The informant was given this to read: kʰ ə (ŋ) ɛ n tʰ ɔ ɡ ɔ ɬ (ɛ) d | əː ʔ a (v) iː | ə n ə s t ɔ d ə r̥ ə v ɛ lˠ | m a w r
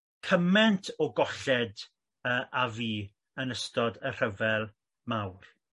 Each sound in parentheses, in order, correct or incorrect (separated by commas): incorrect, correct, correct